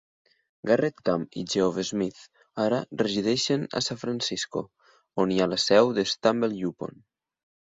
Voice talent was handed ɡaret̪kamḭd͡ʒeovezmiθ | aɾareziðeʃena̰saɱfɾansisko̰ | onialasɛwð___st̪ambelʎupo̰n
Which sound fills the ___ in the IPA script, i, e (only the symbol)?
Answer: e